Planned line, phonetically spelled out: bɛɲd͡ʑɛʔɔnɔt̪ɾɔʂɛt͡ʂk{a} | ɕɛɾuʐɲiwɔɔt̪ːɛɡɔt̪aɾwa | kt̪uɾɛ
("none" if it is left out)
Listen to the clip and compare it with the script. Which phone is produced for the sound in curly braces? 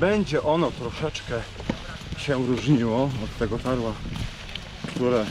ɛ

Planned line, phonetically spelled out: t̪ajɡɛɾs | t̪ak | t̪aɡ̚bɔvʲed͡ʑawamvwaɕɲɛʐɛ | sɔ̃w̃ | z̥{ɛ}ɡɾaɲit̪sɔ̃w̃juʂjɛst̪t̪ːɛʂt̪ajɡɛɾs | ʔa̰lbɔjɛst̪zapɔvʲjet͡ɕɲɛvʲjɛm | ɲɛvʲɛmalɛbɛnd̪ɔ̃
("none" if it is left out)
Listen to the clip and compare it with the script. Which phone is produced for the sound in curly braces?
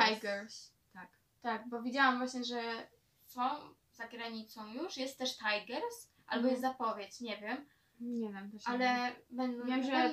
a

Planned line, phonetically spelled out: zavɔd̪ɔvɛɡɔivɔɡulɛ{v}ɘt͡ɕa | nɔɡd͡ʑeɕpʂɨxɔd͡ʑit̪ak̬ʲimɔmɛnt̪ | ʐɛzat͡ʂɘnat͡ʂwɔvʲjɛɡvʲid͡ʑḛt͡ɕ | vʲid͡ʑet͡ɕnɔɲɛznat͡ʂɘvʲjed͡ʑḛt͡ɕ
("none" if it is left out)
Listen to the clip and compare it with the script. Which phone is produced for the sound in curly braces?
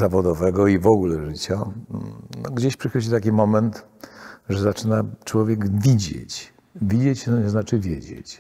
ʐ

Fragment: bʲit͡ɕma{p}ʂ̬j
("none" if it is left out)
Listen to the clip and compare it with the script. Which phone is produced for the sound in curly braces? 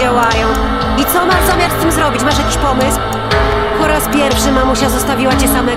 none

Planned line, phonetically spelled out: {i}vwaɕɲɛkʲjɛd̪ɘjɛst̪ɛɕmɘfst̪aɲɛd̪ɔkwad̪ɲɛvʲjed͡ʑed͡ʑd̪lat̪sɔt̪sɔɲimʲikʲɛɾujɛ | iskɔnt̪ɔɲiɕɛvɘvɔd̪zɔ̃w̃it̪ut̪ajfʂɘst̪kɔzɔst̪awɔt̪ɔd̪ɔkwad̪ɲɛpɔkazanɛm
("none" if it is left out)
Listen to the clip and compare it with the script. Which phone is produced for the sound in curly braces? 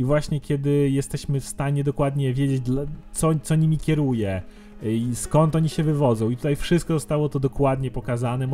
i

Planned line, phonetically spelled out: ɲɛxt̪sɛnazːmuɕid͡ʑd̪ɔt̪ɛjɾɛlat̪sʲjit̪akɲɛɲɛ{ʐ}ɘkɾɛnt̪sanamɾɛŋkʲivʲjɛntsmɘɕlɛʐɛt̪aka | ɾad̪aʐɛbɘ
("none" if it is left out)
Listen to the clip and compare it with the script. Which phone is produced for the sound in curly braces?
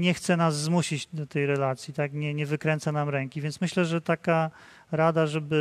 v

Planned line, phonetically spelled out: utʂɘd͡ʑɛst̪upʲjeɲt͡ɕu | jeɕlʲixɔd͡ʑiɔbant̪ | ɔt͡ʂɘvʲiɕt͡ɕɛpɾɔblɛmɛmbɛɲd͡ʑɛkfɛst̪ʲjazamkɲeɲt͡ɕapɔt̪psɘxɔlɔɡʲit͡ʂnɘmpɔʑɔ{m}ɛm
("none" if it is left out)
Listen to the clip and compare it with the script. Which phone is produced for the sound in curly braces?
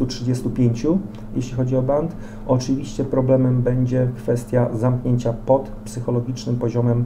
m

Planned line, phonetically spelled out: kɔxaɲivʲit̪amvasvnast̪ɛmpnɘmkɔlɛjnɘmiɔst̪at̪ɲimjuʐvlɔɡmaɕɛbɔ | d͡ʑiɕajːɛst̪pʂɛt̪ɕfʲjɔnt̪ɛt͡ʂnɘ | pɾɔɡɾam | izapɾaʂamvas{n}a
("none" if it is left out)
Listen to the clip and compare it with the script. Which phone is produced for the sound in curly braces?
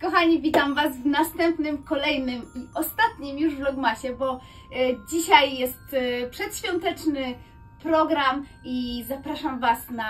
n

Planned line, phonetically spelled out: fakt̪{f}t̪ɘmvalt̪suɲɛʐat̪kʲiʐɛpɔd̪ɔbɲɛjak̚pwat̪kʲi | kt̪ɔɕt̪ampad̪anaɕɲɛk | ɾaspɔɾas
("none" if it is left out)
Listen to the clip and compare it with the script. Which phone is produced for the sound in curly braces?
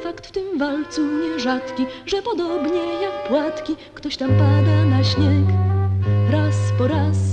f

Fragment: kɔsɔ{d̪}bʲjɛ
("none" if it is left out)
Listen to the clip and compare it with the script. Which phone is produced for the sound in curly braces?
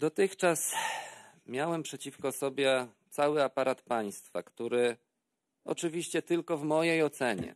none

